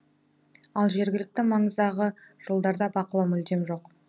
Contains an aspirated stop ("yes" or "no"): no